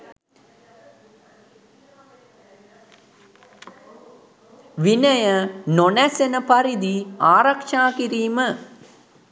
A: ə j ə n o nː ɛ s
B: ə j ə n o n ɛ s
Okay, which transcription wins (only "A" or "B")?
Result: B